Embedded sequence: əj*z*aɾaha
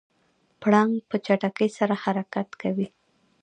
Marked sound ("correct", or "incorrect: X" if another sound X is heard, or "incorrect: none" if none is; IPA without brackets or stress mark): incorrect: s